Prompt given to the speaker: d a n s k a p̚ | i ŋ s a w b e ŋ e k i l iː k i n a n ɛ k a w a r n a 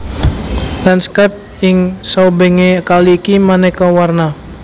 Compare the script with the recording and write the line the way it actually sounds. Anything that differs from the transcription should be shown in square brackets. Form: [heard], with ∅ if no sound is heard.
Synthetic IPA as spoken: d a n s k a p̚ | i ŋ s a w b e ŋ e k [a] l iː k i [m] a n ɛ k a w a r n a